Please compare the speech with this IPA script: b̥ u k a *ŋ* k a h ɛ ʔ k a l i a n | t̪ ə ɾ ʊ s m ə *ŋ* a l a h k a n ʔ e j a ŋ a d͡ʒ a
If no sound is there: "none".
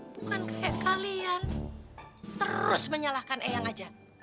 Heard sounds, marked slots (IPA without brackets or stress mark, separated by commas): n, ɲ